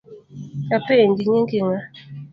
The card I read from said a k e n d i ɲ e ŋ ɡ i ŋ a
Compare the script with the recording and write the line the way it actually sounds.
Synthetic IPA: a p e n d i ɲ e ŋ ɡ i ŋ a